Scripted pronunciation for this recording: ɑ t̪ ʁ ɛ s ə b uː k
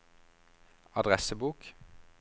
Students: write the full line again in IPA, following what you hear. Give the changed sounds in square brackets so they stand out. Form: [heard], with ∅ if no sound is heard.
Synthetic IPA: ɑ [d̪] ʁ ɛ s ə b uː k